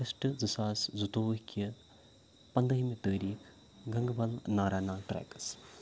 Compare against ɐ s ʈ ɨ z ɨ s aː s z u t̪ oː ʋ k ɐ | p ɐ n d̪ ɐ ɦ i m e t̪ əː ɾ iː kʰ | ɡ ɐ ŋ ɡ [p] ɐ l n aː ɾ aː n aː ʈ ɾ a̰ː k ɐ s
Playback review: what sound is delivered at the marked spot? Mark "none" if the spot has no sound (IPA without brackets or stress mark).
b